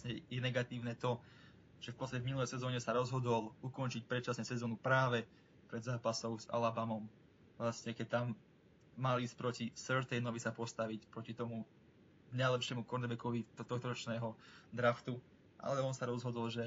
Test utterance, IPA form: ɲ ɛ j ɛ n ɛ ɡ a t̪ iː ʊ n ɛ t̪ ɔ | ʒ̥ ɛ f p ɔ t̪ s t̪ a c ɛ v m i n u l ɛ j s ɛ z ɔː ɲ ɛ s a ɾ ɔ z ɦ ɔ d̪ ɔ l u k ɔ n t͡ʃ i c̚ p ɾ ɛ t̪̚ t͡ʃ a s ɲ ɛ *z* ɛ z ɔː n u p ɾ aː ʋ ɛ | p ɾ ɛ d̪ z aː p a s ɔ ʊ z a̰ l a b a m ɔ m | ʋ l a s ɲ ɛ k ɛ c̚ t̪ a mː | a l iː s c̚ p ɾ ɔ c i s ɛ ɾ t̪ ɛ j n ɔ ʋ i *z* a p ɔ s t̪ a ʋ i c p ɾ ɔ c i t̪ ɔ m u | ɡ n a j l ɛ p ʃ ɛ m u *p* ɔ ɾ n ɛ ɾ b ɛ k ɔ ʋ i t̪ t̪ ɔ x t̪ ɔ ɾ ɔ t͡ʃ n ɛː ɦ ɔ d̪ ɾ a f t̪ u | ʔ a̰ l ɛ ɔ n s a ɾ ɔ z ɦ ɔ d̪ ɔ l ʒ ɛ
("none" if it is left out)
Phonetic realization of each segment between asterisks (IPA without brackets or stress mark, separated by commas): s, s, k